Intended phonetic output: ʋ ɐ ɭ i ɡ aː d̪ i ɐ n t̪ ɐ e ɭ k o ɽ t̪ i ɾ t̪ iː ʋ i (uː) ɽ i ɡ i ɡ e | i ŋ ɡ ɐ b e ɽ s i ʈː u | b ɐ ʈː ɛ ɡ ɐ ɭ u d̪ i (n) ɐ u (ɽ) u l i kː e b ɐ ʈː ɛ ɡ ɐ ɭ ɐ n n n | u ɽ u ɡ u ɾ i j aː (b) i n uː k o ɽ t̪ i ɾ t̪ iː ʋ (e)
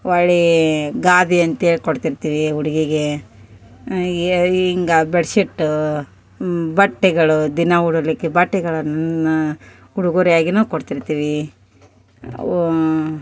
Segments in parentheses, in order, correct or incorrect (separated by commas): incorrect, correct, correct, incorrect, incorrect